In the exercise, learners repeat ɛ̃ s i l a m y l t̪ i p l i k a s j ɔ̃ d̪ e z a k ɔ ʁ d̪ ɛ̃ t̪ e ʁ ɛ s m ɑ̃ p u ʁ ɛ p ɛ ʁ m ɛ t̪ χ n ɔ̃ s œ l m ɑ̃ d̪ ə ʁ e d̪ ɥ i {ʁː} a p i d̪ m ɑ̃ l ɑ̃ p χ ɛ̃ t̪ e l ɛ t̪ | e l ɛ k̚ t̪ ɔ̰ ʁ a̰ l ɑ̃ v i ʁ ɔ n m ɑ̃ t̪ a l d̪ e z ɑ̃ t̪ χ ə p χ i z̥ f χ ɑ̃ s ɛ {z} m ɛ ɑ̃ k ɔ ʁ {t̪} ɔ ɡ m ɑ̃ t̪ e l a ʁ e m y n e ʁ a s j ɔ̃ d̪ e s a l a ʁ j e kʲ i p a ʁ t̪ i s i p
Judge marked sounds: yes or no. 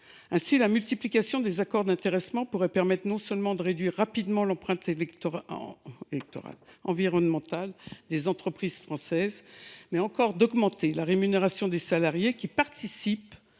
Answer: yes, yes, no

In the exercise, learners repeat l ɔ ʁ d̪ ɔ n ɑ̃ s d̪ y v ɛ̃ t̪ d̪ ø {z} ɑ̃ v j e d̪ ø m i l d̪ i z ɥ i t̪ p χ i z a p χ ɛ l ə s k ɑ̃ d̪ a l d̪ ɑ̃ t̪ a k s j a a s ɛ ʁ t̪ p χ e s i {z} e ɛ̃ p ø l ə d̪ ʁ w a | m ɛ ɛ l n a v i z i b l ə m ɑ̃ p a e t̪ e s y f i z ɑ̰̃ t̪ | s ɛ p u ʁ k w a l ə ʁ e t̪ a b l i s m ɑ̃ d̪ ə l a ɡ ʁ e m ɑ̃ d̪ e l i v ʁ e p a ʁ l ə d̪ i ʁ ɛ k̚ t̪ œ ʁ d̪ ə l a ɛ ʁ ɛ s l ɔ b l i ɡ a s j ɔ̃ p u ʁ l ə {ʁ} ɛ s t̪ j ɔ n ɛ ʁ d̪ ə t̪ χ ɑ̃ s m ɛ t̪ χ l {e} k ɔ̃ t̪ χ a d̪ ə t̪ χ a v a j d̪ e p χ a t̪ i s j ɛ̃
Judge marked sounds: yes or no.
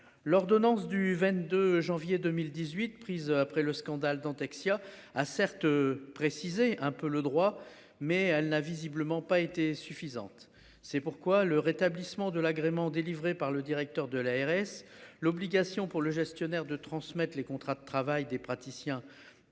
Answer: no, yes, no, yes

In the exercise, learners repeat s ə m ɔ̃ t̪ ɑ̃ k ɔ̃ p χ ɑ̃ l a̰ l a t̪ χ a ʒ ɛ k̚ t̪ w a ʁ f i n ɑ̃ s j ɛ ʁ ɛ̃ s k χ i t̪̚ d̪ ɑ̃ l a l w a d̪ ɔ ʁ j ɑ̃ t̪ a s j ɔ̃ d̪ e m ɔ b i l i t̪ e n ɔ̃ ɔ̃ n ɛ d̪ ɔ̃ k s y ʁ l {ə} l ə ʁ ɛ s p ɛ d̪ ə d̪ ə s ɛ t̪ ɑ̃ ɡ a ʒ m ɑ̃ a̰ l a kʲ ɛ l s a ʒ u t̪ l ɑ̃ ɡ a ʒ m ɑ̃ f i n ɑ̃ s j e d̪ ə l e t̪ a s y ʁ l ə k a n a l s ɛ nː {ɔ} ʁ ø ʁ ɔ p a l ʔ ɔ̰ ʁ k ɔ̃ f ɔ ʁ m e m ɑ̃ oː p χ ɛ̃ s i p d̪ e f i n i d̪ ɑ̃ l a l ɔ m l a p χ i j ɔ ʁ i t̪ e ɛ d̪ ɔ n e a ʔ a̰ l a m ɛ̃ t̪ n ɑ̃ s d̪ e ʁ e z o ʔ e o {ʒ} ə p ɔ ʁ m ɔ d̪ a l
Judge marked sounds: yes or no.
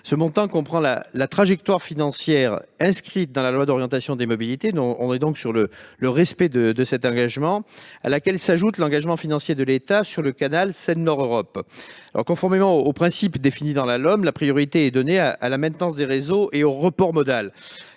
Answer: yes, yes, no

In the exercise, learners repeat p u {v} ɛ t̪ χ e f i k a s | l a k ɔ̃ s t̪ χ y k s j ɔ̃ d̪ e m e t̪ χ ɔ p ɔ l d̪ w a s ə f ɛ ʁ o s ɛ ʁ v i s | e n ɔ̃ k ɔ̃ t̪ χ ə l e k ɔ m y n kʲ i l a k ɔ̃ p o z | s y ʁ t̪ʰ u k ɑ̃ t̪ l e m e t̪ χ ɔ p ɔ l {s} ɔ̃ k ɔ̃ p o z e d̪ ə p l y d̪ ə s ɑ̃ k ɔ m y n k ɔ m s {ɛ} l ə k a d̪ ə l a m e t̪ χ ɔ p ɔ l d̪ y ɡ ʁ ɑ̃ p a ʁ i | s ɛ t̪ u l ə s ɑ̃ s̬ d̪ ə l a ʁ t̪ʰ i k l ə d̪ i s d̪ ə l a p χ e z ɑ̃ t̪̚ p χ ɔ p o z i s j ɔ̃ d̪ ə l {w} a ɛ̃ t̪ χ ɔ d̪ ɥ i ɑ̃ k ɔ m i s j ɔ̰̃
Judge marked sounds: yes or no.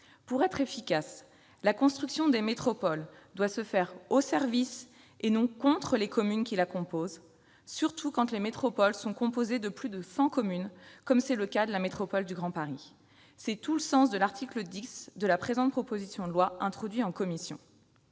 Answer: no, yes, yes, yes

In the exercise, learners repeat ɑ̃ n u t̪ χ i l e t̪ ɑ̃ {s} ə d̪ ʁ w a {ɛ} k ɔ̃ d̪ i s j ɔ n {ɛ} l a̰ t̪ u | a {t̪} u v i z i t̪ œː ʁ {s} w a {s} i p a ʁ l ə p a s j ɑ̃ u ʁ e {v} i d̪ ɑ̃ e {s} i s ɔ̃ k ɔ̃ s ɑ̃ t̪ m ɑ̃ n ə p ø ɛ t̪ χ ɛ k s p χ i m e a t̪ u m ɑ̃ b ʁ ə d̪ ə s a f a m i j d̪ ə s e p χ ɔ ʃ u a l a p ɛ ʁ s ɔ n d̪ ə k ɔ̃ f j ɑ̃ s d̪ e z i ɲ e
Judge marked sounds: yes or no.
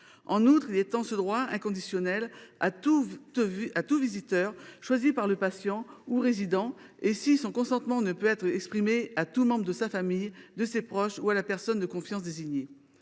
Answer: yes, no, yes, yes, no, no, no, yes

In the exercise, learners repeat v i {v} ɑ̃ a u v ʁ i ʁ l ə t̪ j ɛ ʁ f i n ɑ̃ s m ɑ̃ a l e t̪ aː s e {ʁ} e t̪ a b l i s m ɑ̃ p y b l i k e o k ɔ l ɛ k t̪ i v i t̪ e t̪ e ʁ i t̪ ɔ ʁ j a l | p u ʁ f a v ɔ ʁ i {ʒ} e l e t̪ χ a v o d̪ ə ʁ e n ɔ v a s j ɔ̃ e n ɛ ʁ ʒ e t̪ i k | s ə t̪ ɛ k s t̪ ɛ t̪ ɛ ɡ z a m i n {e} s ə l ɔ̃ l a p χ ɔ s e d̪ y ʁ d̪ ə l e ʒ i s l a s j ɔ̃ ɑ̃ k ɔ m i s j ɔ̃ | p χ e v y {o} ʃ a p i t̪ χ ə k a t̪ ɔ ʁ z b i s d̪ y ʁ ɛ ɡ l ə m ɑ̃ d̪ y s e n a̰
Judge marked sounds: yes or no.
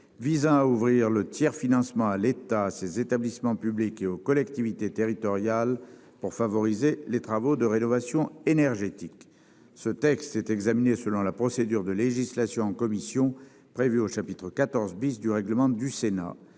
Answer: no, no, no, yes, yes

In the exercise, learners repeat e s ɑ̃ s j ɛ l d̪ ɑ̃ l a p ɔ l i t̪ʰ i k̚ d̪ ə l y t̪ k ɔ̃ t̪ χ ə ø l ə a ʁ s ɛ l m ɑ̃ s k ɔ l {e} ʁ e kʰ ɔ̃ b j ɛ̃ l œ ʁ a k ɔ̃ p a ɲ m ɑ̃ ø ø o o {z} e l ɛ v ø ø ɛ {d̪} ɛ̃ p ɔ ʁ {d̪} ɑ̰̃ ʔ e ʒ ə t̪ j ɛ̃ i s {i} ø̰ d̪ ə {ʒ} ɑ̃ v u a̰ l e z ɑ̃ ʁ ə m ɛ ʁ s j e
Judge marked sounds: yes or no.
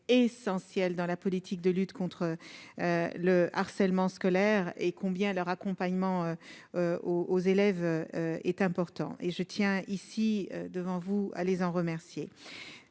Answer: no, yes, no, no, yes, no

